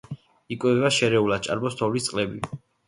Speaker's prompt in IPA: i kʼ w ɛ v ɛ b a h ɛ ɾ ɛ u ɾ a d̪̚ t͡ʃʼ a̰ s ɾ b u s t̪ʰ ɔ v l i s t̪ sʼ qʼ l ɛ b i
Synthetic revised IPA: i kʼ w ɛ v ɛ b a ʃ ɛ ɾ ɛ u l a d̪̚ t͡ʃʼ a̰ ɾ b ɔ s t̪ʰ ɔ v l i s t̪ sʼ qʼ l ɛ b i